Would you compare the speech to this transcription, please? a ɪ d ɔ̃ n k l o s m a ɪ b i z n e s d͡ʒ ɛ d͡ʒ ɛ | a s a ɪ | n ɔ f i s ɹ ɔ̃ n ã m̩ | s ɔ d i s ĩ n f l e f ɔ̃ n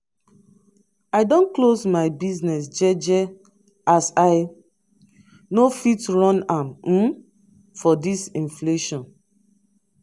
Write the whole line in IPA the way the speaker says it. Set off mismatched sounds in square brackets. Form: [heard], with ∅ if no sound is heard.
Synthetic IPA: a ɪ d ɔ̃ n k l o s m a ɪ b i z n [ɛ] s d͡ʒ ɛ d͡ʒ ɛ | a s a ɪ | n [o] f i [t] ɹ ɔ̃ n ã m̩ | [f] ɔ d i s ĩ n f l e [ʃ] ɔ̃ n